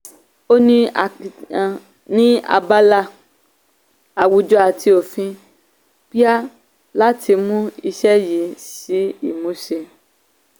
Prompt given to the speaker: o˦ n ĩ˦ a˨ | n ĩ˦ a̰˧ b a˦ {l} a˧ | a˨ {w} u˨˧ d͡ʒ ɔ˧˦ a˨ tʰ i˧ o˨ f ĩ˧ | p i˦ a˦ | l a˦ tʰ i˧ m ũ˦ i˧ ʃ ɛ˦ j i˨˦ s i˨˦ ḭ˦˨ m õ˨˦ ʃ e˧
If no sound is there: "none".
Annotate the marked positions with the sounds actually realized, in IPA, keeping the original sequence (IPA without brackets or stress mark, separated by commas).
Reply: l, w